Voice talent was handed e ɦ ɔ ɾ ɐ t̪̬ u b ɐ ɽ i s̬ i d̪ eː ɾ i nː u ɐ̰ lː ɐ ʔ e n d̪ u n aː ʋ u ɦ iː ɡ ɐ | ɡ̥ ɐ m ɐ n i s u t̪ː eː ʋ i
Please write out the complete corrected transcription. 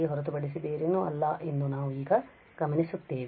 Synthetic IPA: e ɦ ɔ ɾ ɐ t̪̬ u b ɐ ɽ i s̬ i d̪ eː ɾ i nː u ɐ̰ lː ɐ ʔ e n d̪ u n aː ʋ u iː ɡ ɐ | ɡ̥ ɐ m ɐ n i s u t̪ː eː ʋ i

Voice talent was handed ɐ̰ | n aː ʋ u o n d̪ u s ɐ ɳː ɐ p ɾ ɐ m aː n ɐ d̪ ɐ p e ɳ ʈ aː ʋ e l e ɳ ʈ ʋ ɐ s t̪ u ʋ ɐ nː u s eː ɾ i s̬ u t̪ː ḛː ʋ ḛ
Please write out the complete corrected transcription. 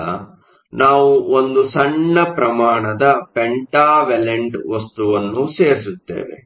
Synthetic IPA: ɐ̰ | n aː ʋ u o n d̪ u s ɐ ɳː ɐ p ɾ ɐ m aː ɳ ɐ d̪ ɐ p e ɳ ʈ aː ʋ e l e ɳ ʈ ʋ ɐ s t̪ u ʋ ɐ nː u s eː ɾ i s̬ u t̪ː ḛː ʋ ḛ

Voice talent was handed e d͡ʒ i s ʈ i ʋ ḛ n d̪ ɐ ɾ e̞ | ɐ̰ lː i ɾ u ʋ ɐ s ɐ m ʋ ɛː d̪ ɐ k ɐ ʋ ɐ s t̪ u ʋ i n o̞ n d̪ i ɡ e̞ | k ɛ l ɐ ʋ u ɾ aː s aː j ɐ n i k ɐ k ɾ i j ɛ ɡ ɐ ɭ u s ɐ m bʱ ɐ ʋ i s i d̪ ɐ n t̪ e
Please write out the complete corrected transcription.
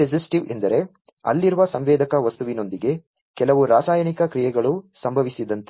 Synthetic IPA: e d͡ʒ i s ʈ i ʋ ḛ n d̪ ɐ ɾ e̞ | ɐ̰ lː i ɾ u ʋ ɐ s ɐ m ʋ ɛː d̪ ɐ k ɐ ʋ ɐ s t̪ u ʋ i n o̞ n d̪ i ɡ e̞ | k ɛ l ɐ ʋ u ɾ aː s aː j ɐ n i k ɐ k ɾ i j ɛ ɡ ɐ ɭ u s ɐ m bʱ ɐ ʋ i s i d̪ ɐ n t̪ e

